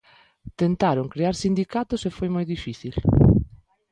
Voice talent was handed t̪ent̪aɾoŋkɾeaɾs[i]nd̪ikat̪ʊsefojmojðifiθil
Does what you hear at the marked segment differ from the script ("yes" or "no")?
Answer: no